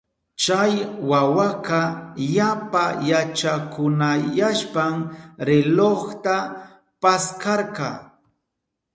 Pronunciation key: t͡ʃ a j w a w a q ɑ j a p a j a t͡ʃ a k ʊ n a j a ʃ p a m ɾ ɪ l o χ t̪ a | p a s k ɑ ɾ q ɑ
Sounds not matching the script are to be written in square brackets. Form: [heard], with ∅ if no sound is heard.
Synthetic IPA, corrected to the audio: t͡ʃ a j w a w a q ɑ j a p a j a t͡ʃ a k ʊ n a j a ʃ p a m ɾ ɪ l o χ t̪ a | p a s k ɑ ɾ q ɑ